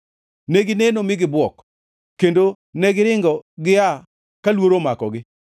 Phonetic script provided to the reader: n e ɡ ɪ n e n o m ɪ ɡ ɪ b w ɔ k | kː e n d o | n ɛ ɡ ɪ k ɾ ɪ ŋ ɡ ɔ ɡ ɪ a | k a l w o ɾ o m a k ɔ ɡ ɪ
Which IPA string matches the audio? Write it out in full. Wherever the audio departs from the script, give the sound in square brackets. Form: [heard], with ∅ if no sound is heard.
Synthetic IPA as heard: n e ɡ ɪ n e n o m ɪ ɡ ɪ b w ɔ k | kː e n d o | n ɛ ɡ ɪ [∅] ɾ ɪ ŋ ɡ ɔ ɡ ɪ a | k a l w o ɾ o m a k ɔ ɡ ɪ